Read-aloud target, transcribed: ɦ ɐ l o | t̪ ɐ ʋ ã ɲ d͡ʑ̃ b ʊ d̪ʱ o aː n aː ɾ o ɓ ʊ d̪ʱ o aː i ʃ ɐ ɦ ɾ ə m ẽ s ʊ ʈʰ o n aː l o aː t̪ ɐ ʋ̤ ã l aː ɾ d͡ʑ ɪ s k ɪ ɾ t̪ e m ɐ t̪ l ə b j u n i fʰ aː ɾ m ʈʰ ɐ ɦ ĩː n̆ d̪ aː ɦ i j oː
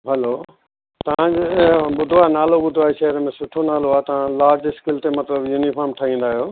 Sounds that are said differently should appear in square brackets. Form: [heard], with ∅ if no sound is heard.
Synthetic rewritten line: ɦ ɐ l o | t̪ ɐ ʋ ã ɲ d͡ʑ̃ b ʊ d̪ʱ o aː n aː [l] o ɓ ʊ d̪ʱ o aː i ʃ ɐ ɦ ɾ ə m ẽ s ʊ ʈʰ o n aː l o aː t̪ ɐ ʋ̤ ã l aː ɾ d͡ʑ ɪ s k ɪ [l] t̪ e m ɐ t̪ l ə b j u n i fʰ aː ɾ m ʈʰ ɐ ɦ ĩː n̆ d̪ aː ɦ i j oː

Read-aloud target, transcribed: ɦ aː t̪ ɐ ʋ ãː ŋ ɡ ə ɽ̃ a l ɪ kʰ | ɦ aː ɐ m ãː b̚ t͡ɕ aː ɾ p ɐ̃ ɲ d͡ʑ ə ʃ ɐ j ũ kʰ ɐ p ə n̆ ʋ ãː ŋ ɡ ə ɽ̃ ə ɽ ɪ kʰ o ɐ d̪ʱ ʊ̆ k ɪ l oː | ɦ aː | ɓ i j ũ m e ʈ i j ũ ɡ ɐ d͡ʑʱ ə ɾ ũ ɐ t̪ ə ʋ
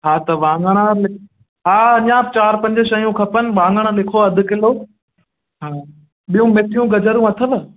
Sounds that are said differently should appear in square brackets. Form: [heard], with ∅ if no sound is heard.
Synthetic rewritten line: ɦ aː t̪ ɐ ʋ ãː ŋ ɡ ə ɽ̃ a l ɪ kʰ | ɦ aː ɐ [ɲ] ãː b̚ t͡ɕ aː ɾ p ɐ̃ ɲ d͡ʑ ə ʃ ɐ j ũ kʰ ɐ p ə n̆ ʋ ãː ŋ ɡ ə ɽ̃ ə [l] ɪ kʰ o ɐ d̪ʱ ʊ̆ k ɪ l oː | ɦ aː | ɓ i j ũ m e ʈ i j ũ ɡ ɐ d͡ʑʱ ə ɾ ũ ɐ [t̪ʰ] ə ʋ

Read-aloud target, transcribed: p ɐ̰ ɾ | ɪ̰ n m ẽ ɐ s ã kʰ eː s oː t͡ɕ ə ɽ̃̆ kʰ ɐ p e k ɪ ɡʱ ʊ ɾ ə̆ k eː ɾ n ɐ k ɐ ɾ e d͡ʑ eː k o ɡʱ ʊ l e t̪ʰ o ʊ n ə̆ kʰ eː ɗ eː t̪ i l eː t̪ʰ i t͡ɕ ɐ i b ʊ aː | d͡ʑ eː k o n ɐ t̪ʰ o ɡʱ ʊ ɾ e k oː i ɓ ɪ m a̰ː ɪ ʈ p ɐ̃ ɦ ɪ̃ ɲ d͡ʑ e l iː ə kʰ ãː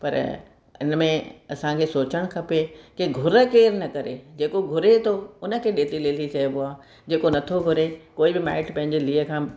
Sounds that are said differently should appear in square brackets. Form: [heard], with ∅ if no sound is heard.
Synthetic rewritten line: p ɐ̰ ɾ | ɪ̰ n m ẽ ɐ s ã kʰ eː s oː t͡ɕ ə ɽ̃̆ kʰ ɐ p e k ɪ ɡʱ ʊ ɾ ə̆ k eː ɾ n ɐ k ɐ ɾ e d͡ʑ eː k o ɡʱ ʊ [ɾ] e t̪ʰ o ʊ n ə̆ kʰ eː ɗ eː t̪ i l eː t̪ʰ i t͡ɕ ɐ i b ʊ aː | d͡ʑ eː k o n ɐ t̪ʰ o ɡʱ ʊ ɾ e k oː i [b] ɪ m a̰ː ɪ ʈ p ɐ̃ ɦ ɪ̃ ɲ d͡ʑ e l iː ə kʰ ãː

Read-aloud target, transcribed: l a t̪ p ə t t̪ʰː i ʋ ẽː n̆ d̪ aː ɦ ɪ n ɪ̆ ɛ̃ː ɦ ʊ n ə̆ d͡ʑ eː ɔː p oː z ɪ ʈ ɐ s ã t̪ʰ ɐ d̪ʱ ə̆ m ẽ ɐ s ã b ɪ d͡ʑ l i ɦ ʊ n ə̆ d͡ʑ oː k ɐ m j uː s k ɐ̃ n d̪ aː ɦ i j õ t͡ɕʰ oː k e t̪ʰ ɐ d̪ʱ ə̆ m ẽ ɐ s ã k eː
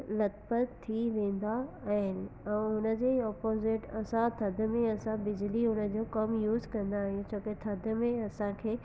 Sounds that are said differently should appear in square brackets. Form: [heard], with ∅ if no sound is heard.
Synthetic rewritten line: l [ɐ] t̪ p ə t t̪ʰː i ʋ ẽː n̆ d̪ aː ɦ ɪ n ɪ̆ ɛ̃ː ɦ ʊ n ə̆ d͡ʑ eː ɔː p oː z ɪ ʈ ɐ s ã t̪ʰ ɐ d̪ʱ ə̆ m ẽ ɐ s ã b ɪ d͡ʑ l i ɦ ʊ n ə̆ d͡ʑ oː k ɐ m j uː [z] k ɐ̃ n d̪ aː ɦ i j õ t͡ɕʰ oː k e t̪ʰ ɐ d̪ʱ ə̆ m ẽ ɐ s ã [kʰ] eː

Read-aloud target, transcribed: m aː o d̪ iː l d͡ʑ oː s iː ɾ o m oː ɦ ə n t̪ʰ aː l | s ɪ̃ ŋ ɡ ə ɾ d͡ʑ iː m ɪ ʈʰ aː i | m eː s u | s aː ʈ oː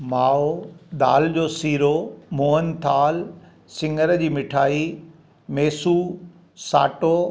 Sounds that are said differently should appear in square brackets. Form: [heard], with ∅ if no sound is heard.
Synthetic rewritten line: m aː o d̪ [aː] l d͡ʑ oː s iː ɾ o m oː ɦ ə n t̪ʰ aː l | s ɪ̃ ŋ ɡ ə ɾ d͡ʑ iː m ɪ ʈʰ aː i | m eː s u | s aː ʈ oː

